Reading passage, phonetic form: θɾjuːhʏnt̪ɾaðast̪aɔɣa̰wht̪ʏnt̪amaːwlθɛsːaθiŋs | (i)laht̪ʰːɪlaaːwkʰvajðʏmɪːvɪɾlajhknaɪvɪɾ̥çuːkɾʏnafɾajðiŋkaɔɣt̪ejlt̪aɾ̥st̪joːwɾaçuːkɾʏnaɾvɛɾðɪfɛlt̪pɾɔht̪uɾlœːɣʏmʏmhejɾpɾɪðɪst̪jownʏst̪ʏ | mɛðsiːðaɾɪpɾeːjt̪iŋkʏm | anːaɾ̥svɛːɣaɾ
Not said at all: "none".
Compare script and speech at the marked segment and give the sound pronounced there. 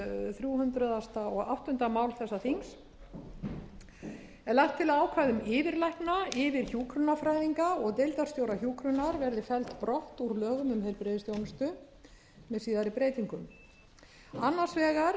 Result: ɛ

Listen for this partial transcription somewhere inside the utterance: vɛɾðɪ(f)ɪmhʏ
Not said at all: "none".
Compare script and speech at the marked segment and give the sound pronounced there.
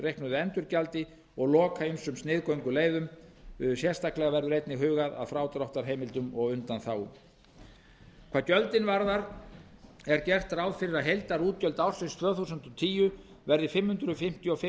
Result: f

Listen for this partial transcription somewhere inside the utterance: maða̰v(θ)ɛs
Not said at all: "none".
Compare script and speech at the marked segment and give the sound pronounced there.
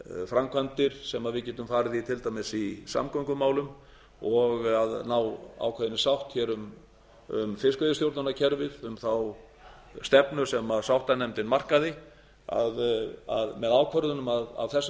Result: θ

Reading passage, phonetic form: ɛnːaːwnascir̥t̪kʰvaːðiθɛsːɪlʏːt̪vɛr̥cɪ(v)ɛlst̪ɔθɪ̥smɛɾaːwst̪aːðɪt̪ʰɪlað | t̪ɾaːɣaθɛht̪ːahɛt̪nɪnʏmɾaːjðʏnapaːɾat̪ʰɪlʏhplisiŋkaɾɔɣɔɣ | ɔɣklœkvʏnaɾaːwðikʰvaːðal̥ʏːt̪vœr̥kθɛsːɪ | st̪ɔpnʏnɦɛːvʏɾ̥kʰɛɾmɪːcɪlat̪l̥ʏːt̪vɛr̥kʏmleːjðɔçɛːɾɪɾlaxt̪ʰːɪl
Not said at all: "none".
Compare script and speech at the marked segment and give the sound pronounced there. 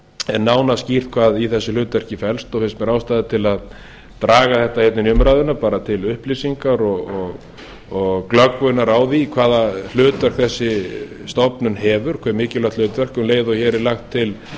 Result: f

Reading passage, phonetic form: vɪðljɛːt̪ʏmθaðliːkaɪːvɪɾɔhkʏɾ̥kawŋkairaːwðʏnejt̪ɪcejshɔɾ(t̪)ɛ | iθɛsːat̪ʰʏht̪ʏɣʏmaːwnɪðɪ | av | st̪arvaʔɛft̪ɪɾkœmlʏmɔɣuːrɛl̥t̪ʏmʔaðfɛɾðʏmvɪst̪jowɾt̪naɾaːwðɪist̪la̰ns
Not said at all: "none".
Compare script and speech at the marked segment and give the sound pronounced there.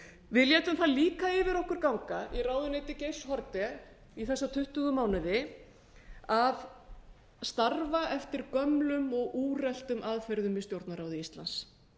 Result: t̪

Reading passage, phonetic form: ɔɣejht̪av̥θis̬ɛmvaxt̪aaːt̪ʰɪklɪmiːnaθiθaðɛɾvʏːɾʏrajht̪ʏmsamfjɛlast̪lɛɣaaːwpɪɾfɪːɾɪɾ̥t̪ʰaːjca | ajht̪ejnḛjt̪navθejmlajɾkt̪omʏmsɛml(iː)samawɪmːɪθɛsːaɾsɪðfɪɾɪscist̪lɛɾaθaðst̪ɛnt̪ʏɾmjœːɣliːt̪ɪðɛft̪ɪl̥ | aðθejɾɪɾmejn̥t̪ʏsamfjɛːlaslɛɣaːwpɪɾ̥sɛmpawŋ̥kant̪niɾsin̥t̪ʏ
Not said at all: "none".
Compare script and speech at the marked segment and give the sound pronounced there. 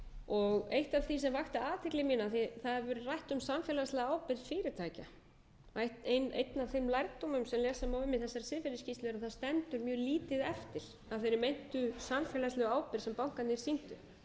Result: ɛː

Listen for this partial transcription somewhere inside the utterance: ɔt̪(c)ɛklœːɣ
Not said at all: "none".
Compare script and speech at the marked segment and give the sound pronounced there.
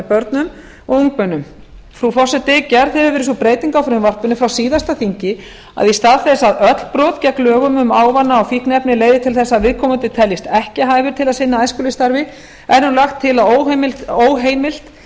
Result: c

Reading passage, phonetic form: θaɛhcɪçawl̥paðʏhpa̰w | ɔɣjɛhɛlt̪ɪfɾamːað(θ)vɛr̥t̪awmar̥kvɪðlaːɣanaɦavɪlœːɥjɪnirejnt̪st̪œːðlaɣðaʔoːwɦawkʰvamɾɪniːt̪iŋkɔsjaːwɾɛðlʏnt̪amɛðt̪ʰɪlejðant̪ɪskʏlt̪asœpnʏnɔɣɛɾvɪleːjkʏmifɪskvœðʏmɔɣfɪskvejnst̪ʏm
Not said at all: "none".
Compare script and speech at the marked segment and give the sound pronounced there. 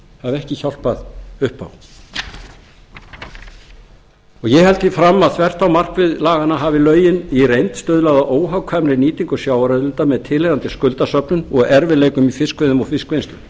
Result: θ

